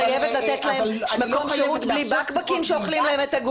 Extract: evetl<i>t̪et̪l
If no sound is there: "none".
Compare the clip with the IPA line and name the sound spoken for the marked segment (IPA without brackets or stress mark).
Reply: a